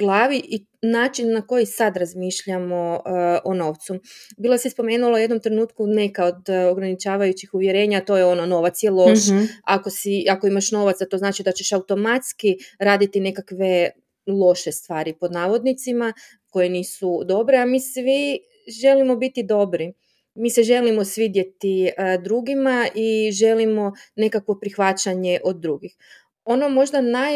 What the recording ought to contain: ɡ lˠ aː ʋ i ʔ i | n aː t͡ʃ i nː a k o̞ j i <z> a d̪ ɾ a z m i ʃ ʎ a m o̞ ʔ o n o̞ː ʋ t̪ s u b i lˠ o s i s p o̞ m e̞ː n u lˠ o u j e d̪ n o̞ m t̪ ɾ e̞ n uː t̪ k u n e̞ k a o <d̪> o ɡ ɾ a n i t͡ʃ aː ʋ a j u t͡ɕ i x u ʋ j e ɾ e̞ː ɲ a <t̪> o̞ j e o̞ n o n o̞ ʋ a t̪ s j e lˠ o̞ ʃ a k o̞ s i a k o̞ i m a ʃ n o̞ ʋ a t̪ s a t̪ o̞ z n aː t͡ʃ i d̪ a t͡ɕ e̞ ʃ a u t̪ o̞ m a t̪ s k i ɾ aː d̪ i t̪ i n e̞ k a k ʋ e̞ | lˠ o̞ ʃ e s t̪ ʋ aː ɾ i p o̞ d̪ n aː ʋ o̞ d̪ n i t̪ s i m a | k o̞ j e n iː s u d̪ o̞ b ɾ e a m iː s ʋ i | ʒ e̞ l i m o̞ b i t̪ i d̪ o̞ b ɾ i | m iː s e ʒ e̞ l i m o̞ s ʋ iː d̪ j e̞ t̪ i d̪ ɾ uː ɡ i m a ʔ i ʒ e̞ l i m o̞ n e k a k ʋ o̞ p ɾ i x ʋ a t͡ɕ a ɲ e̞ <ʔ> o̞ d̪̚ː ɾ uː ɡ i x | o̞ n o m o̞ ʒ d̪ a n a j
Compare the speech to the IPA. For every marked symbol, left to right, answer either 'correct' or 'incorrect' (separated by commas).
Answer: incorrect, correct, correct, correct